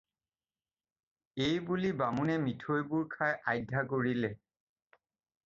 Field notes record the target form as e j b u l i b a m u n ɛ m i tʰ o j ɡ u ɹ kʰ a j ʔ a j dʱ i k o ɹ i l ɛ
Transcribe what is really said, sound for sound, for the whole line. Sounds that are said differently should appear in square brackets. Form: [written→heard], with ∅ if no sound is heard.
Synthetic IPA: e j b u l i b a m u n ɛ m i tʰ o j [ɡ→b] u ɹ kʰ a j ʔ a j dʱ [i→a] k o ɹ i l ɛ

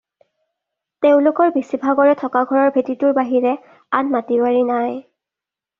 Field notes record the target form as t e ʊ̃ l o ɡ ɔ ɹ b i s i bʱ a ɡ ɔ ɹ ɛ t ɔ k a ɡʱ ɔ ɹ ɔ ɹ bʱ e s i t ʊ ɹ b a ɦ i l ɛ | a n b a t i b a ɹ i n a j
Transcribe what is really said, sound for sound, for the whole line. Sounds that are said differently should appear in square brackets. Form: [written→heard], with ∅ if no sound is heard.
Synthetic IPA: t e ʊ̃ l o [ɡ→k] ɔ ɹ b i s i bʱ a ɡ ɔ ɹ ɛ [t→tʰ] ɔ k a ɡʱ ɔ ɹ ɔ ɹ bʱ e [s→t] i t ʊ ɹ b a ɦ i [l→ɹ] ɛ | a n [b→m] a t i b a ɹ i n a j

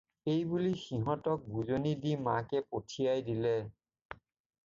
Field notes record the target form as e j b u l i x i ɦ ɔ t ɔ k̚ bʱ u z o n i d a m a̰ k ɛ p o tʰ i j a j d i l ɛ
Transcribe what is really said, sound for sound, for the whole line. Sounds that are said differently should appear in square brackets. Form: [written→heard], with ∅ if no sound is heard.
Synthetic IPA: e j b u l i x i ɦ ɔ t ɔ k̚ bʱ u z o n i d [a→i] m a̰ k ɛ p o tʰ i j a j d i l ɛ

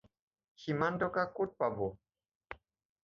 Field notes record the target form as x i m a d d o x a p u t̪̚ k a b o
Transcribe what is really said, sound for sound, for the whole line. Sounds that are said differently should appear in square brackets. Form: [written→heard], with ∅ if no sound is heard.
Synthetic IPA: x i m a [d→n] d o [x→k] a [p→k] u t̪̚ [k→p] a b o

